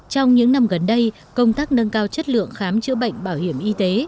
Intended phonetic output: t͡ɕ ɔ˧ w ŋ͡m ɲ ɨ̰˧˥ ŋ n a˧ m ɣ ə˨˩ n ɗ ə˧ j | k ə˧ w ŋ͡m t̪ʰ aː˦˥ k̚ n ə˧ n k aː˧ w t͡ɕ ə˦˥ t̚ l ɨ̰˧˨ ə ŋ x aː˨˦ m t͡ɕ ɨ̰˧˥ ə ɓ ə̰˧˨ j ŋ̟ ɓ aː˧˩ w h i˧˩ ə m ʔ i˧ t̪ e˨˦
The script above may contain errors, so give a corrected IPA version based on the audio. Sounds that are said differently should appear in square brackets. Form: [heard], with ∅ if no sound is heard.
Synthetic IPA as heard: t͡ɕ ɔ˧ w ŋ͡m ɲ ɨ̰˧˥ ŋ n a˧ m ɣ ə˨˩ n ɗ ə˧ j | k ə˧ w ŋ͡m [t̪] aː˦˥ k̚ n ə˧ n k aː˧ w t͡ɕ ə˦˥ t̚ l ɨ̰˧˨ ə ŋ x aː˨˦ m t͡ɕ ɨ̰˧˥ ə ɓ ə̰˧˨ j ŋ̟ ɓ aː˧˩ w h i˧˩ ə m ʔ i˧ t̪ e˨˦

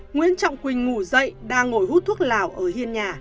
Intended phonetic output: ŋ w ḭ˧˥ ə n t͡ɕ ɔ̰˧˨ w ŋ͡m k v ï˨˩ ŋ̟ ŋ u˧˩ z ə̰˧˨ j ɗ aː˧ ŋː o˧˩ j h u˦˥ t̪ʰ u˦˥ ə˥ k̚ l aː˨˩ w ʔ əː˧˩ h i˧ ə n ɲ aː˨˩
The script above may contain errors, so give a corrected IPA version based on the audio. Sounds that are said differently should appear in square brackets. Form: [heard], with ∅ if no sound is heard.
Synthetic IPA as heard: ŋ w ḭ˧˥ ə n t͡ɕ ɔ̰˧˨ w ŋ͡m k [w] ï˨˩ ŋ̟ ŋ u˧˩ z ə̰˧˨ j ɗ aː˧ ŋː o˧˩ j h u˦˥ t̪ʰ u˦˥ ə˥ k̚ l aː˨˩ w ʔ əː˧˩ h i˧ ə n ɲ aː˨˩

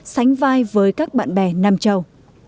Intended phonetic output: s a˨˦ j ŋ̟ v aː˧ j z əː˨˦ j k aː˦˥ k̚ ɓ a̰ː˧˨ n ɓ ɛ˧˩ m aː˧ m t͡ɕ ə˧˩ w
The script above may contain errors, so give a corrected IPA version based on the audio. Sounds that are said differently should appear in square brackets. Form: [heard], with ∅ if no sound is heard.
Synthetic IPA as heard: s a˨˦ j ŋ̟ v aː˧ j [v] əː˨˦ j k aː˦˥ k̚ ɓ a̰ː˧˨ n ɓ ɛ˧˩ [n] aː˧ m t͡ɕ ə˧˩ w

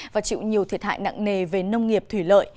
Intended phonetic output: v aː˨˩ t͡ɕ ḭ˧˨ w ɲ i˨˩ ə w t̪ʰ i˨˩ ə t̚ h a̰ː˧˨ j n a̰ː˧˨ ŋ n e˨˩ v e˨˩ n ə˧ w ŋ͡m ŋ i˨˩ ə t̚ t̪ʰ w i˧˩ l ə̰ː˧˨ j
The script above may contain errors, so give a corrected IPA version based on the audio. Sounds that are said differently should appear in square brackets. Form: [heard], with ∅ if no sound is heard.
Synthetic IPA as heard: v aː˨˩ t͡ɕ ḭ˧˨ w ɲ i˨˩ ə w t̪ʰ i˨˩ ə t̚ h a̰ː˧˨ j n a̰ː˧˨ ŋ n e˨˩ v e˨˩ n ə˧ w ŋ͡m ŋ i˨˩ ə [p̚] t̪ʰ w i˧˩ l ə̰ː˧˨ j

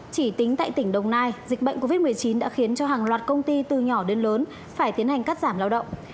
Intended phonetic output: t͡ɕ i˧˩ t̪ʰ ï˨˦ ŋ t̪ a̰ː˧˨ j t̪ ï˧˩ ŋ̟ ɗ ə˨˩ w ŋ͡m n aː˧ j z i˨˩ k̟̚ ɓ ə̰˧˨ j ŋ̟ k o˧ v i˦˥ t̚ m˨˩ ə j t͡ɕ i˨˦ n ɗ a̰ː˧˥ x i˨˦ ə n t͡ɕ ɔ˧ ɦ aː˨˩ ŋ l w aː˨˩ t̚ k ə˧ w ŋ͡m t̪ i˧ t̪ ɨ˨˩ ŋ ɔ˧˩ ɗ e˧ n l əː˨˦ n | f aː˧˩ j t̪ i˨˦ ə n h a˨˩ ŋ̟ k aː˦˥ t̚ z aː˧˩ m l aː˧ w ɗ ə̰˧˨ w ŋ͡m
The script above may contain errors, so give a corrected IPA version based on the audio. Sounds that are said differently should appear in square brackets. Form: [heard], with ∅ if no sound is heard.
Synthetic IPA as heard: t͡ɕ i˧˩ [t̪] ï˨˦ ŋ t̪ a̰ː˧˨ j t̪ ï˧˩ ŋ̟ ɗ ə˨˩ w ŋ͡m n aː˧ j z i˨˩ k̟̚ ɓ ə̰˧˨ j ŋ̟ k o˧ v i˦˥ t̚ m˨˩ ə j t͡ɕ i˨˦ n ɗ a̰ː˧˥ x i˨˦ ə n t͡ɕ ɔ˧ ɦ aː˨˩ ŋ l w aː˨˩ t̚ k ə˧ w ŋ͡m t̪ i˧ t̪ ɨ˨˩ [ɲ] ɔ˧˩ ɗ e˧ n l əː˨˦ n | f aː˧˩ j t̪ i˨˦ ə n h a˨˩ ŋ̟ k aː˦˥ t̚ z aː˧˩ m l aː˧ w ɗ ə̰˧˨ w ŋ͡m

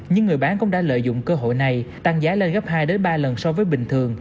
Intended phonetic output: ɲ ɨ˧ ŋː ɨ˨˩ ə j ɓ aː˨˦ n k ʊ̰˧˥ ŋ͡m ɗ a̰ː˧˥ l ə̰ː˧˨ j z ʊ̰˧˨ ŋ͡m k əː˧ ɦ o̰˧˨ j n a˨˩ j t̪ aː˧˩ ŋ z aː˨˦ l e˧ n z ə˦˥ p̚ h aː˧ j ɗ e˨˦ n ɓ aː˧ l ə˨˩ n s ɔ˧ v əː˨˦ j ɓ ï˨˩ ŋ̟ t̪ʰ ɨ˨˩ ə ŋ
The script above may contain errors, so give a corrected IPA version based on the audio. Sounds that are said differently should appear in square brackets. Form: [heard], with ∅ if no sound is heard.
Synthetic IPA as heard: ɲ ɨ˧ ŋː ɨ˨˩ ə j ɓ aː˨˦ n k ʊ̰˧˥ ŋ͡m ɗ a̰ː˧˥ l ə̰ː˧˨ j z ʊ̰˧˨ ŋ͡m k əː˧ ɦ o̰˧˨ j n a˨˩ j t̪ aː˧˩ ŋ z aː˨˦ l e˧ n [ɣ] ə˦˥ p̚ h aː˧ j ɗ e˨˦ n ɓ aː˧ l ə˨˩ n s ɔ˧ v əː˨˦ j ɓ ï˨˩ ŋ̟ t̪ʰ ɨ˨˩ ə ŋ

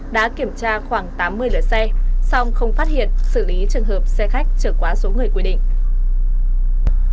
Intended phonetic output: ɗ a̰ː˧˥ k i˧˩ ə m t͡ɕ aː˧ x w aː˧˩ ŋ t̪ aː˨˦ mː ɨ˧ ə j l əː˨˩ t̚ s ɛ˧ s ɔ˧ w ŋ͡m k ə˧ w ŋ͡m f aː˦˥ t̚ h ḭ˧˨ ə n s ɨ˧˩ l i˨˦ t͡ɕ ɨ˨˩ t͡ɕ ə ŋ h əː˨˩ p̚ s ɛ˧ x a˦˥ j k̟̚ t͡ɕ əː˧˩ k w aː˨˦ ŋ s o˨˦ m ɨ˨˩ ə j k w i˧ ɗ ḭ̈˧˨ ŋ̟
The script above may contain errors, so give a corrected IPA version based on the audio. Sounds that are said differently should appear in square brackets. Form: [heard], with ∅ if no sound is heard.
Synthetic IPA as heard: ɗ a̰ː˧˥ k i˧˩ ə m t͡ɕ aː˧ x w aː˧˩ ŋ t̪ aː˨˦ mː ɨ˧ ə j l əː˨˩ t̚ s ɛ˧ s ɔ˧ w ŋ͡m [x] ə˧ w ŋ͡m f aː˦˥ t̚ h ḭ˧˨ ə n s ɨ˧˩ l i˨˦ t͡ɕ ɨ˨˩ [∅] ə ŋ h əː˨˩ p̚ s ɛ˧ x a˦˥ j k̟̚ t͡ɕ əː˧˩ k w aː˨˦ [∅] s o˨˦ [ŋ] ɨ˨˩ ə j k w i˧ ɗ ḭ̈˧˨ ŋ̟

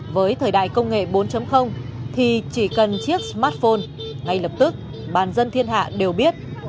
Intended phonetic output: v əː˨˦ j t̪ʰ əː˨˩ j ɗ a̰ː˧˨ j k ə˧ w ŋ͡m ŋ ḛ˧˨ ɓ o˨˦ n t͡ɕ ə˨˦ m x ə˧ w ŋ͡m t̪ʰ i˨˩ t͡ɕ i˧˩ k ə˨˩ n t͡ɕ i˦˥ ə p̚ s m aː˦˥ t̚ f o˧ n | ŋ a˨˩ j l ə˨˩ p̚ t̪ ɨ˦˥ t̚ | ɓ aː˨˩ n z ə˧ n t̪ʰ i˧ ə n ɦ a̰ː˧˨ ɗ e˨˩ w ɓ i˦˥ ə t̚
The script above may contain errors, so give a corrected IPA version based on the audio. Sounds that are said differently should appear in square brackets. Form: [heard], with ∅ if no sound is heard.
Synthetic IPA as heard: v əː˨˦ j t̪ʰ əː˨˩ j ɗ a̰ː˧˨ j k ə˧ w ŋ͡m ŋ ḛ˧˨ ɓ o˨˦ n t͡ɕ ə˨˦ m x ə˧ w ŋ͡m t̪ʰ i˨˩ t͡ɕ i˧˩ k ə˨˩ n t͡ɕ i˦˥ ə [k̚] s m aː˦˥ t̚ f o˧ n | ŋ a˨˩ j l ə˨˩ p̚ t̪ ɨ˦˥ [k̚] | ɓ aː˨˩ n z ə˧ n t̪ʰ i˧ ə n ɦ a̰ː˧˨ ɗ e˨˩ w ɓ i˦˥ ə t̚

